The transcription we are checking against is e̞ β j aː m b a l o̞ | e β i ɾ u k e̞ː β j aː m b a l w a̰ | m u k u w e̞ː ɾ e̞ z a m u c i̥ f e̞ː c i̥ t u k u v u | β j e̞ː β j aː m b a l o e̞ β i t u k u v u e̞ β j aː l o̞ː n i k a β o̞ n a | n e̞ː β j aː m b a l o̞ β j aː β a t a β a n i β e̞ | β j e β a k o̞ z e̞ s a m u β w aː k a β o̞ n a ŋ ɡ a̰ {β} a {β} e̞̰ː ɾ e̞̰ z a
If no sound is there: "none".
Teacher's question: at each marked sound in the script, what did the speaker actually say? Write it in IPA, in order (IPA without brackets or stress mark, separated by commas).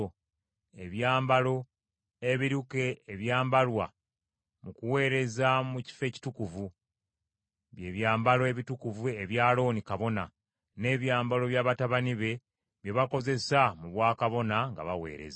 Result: β, w